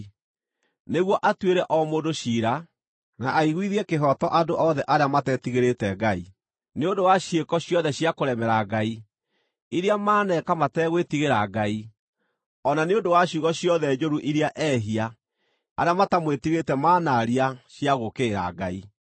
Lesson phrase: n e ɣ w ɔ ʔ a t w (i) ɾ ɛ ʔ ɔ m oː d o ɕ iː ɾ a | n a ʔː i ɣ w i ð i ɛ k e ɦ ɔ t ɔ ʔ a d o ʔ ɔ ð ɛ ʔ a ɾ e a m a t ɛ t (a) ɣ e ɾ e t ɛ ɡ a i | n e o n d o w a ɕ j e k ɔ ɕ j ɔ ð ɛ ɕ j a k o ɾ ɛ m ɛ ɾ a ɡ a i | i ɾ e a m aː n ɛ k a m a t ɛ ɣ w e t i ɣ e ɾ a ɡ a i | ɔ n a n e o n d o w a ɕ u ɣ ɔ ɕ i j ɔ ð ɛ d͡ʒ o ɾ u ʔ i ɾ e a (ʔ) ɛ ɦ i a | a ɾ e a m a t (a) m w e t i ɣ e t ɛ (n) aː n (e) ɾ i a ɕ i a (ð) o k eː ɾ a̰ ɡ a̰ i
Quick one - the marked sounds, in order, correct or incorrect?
incorrect: e, incorrect: i, correct, correct, incorrect: m, incorrect: a, incorrect: ɣ

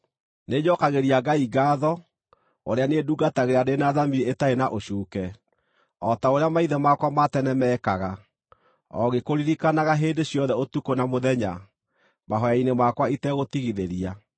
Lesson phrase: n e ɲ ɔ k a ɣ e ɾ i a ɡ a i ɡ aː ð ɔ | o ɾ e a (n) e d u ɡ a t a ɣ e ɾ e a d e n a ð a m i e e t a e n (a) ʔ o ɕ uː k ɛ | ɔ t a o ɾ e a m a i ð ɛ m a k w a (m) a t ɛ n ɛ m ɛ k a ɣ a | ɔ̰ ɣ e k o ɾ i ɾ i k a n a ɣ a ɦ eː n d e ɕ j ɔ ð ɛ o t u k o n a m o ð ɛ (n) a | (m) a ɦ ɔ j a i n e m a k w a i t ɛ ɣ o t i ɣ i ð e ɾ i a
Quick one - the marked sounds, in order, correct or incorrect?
correct, correct, correct, incorrect: ɲ, correct

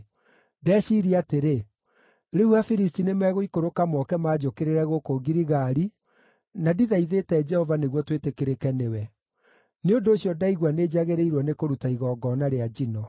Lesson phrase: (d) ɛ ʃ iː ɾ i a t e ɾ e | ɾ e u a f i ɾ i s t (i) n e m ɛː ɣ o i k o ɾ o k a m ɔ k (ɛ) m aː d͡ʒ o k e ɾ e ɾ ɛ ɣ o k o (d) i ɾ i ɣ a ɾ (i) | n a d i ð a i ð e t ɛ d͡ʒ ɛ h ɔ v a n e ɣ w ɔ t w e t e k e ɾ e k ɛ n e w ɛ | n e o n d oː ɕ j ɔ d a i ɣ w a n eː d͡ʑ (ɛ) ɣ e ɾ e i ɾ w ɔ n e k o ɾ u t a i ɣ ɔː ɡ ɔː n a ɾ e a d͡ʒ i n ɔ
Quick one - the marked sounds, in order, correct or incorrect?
correct, correct, correct, incorrect: ɡ, correct, incorrect: a

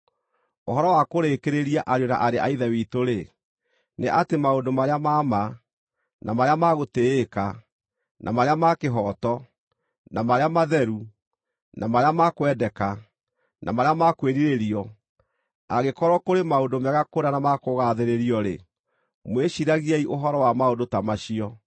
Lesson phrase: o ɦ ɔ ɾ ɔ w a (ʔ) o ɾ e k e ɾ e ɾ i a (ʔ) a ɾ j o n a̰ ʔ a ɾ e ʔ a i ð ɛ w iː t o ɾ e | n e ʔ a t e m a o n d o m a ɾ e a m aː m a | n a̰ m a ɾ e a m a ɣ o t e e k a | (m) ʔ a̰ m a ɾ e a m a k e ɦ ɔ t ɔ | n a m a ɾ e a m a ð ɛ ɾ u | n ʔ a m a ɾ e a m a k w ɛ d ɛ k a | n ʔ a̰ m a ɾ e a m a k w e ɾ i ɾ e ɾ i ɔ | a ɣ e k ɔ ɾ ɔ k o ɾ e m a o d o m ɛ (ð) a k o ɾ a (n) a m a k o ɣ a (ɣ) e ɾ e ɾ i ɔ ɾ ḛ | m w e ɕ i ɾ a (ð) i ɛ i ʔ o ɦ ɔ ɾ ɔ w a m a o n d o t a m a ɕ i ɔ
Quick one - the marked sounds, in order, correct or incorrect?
incorrect: k, correct, incorrect: n, incorrect: ɣ, correct, incorrect: ð, incorrect: ɣ

